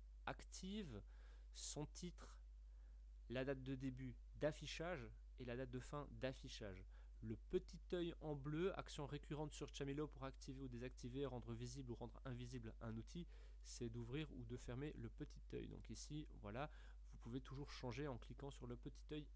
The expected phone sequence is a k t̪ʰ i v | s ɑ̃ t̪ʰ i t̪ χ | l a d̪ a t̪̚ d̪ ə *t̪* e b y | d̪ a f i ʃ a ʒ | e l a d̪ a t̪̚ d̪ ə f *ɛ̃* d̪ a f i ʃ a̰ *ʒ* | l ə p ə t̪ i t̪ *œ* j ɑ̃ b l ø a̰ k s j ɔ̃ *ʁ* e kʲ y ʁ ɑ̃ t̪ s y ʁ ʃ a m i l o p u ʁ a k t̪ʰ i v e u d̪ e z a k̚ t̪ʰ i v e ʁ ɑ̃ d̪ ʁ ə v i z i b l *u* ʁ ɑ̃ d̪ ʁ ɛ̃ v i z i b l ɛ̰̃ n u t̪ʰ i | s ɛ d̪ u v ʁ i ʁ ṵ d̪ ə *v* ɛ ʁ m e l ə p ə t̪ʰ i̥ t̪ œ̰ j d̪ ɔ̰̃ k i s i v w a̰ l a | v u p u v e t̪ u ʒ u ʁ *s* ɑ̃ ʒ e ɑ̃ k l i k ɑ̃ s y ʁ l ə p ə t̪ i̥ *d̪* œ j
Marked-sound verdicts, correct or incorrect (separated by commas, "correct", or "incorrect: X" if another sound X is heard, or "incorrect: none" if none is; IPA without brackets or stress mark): incorrect: d̪, correct, correct, correct, correct, correct, incorrect: f, incorrect: ʃ, incorrect: t̪